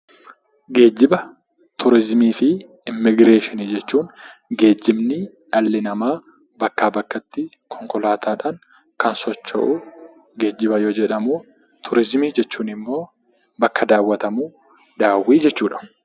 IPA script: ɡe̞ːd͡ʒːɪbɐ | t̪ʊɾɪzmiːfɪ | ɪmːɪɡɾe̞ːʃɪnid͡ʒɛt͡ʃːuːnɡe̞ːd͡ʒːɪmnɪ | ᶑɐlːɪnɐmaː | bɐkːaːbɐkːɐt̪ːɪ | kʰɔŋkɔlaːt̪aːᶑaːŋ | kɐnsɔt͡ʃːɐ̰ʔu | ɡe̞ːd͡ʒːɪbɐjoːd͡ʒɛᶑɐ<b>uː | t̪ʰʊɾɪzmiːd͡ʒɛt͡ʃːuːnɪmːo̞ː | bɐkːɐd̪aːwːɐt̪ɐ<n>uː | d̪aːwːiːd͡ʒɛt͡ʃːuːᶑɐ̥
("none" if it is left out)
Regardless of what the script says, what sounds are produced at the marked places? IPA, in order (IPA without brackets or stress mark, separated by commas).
m, m